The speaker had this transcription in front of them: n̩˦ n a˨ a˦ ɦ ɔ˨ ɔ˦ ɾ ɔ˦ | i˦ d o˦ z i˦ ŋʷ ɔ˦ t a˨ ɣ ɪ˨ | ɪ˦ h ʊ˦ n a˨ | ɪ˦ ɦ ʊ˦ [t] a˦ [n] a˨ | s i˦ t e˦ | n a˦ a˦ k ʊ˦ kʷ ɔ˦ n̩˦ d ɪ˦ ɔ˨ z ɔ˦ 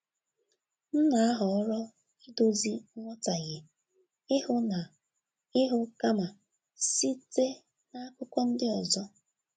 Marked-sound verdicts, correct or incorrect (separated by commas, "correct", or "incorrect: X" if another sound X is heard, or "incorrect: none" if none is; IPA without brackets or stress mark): incorrect: k, incorrect: m